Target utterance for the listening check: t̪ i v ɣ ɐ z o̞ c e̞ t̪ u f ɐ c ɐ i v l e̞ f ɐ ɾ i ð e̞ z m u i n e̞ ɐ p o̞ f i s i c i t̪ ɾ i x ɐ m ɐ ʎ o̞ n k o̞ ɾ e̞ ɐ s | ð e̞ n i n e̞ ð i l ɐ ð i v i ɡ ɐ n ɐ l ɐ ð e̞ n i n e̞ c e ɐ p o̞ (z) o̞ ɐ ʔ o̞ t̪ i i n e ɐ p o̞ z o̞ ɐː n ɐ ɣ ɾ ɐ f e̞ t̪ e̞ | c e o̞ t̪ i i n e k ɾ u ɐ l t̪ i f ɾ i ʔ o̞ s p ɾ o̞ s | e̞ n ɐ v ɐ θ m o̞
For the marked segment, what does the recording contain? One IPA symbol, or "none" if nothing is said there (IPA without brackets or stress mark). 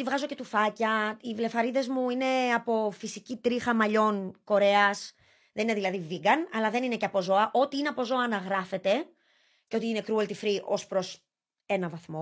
z